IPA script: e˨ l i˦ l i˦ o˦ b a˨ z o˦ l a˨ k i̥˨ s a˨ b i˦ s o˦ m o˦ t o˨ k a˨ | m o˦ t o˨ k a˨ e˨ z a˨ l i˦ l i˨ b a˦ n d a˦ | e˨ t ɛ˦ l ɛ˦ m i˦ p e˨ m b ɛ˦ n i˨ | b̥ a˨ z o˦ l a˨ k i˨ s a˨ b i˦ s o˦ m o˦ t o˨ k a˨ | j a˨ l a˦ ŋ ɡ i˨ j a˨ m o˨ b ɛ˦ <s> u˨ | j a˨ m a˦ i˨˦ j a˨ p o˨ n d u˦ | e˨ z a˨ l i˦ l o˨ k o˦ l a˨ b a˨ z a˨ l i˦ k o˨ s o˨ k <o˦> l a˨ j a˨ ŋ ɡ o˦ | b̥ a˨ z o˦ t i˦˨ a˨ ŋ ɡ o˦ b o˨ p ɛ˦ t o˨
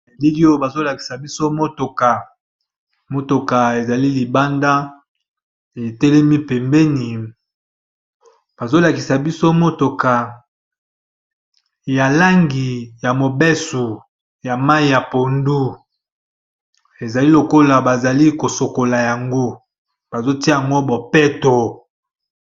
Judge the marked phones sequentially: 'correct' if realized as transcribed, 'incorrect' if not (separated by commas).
correct, incorrect